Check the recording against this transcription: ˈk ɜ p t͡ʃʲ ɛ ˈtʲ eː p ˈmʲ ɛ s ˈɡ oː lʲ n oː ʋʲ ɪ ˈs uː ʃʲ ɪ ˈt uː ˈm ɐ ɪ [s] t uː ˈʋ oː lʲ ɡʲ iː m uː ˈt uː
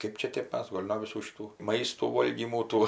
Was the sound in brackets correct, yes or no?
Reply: yes